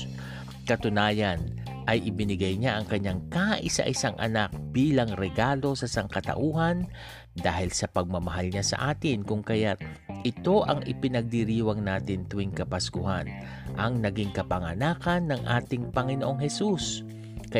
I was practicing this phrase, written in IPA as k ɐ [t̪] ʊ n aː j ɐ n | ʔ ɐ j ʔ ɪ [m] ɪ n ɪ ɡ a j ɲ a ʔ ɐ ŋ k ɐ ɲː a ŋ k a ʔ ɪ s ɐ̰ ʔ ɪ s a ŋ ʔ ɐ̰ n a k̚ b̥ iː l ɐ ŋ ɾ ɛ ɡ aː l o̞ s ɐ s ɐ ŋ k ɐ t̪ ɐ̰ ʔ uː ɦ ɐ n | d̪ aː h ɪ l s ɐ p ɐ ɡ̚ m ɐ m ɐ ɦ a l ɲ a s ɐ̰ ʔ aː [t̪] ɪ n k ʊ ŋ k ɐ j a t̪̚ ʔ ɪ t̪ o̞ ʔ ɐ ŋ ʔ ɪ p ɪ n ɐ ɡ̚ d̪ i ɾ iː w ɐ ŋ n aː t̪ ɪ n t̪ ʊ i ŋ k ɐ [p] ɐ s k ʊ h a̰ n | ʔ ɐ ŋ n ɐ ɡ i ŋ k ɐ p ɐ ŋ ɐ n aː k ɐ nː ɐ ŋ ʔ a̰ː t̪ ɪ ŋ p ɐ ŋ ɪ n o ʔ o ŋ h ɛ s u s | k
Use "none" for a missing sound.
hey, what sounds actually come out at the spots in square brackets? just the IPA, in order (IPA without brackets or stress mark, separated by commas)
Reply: t̪, b, t̪, p